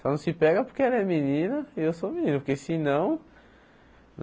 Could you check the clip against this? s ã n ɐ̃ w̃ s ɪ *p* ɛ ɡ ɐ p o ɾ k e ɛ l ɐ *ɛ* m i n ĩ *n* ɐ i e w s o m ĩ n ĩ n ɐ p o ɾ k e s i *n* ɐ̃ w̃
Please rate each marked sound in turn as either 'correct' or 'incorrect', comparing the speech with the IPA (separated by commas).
correct, correct, correct, correct